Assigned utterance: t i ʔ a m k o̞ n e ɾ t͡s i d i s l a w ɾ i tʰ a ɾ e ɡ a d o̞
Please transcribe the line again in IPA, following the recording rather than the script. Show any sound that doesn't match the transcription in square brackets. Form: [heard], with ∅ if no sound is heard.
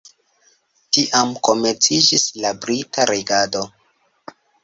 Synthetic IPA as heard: t i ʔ a m k o̞ [m] e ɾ t͡s i [d͡ʒ] i s l a [b] ɾ i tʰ a ɾ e ɡ a d o̞